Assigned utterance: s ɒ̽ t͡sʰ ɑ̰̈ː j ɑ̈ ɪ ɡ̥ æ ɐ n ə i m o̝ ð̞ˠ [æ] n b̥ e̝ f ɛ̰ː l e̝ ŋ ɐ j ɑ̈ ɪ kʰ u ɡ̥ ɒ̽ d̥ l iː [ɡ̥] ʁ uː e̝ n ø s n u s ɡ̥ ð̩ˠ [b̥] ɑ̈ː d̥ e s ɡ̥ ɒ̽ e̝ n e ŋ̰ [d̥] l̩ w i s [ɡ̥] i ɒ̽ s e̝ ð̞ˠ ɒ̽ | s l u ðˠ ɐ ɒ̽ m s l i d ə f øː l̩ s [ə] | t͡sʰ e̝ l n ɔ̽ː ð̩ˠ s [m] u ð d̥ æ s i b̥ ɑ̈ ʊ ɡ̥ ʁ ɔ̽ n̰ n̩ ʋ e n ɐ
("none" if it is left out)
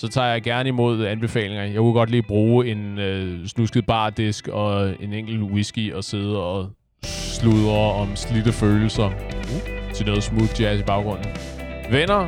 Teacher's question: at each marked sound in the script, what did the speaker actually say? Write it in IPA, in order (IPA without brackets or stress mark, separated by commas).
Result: æ, b̥, b̥, ɡ̥, ɡ̥, ɐ, m